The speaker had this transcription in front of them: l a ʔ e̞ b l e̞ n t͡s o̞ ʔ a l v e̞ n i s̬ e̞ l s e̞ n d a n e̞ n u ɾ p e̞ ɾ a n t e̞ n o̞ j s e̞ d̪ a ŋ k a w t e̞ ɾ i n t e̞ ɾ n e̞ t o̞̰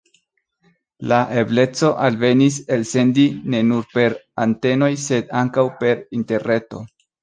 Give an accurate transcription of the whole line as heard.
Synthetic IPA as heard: l a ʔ e̞ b l e̞ t͡s o̞ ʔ a l v e̞ n i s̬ e̞ l s e̞ n d i n e̞ n u ɾ p e̞ ɾ a n t e̞ n o̞ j s e̞ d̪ a ŋ k a w p e̞ ɾ i n t e̞ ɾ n e̞ t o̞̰